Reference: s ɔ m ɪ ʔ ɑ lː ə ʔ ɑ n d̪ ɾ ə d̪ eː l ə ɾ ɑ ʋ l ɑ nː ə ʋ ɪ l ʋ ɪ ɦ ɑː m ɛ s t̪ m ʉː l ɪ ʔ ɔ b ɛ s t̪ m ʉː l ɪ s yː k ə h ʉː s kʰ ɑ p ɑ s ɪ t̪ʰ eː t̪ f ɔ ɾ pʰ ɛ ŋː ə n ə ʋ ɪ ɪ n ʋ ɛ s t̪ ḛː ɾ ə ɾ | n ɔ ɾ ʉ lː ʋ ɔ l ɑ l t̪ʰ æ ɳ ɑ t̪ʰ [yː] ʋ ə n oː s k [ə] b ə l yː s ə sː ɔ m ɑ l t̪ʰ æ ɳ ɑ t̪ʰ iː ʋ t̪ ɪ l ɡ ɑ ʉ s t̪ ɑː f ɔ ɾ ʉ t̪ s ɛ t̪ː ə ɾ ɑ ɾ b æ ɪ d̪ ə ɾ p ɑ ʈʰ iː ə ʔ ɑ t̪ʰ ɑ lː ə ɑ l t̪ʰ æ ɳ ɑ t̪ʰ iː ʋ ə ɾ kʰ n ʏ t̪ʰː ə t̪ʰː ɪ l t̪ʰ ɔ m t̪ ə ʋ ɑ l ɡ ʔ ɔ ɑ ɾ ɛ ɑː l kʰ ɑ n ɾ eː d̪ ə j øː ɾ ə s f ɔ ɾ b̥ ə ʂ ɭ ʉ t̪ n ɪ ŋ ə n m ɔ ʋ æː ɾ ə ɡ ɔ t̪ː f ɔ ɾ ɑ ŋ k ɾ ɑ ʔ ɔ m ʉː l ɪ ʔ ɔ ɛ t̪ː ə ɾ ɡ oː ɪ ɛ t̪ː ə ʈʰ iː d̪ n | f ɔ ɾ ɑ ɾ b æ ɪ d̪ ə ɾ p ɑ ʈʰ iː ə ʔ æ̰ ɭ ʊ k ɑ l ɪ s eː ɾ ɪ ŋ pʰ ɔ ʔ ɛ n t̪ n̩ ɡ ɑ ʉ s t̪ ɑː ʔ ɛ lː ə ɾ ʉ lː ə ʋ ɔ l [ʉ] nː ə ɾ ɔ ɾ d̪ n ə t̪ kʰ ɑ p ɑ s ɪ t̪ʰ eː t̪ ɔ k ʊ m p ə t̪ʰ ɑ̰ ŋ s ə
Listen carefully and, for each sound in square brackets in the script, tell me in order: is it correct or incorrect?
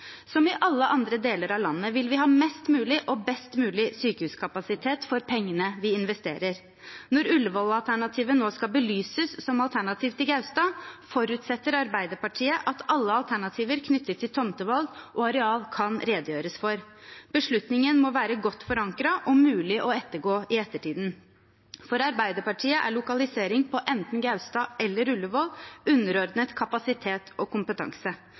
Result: incorrect, incorrect, correct

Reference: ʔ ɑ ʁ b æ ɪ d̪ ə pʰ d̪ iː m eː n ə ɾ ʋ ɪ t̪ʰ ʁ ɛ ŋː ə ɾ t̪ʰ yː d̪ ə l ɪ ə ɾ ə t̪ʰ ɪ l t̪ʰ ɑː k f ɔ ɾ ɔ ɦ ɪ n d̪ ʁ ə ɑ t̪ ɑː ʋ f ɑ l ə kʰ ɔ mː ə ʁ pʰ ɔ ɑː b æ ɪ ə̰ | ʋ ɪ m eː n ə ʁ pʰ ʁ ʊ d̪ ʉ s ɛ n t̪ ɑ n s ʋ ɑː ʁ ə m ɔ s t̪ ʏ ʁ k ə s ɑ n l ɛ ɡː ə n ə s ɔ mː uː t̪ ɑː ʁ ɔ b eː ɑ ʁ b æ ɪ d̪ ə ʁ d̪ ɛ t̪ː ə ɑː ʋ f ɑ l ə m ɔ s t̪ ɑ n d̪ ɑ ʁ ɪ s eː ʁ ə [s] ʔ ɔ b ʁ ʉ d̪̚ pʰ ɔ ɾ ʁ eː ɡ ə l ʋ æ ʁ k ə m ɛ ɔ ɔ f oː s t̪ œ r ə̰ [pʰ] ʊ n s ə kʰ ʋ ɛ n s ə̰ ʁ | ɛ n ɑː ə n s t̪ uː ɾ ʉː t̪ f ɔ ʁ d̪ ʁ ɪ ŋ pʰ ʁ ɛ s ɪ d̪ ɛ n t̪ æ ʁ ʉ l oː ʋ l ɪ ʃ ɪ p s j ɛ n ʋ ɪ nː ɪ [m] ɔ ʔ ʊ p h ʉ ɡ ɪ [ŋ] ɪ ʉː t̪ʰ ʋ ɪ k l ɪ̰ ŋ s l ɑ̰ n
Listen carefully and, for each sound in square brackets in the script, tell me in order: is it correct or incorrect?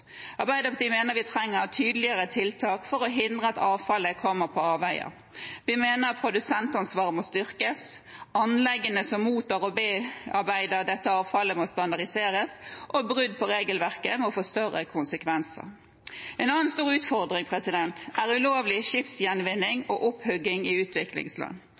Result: correct, incorrect, incorrect, correct

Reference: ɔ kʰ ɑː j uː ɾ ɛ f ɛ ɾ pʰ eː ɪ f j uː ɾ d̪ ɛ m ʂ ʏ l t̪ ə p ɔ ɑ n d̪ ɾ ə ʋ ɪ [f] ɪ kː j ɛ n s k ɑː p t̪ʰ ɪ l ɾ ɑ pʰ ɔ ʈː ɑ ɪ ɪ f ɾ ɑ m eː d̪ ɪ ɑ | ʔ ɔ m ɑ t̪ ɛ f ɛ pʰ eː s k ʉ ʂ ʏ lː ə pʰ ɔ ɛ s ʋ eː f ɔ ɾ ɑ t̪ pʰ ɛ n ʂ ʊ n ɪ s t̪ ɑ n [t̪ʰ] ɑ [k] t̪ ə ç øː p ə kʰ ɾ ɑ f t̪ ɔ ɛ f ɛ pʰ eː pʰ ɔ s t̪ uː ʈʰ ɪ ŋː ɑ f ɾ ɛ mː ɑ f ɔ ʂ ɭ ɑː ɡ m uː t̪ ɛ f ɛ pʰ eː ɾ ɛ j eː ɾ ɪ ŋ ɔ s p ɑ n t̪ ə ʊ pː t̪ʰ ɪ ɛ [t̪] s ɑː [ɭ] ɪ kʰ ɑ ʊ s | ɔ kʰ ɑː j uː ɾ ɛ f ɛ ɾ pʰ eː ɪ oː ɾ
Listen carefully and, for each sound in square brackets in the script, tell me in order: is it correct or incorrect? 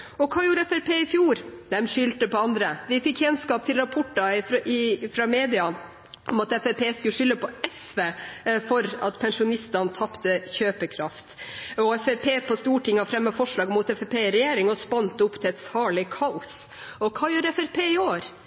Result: correct, correct, incorrect, correct, correct

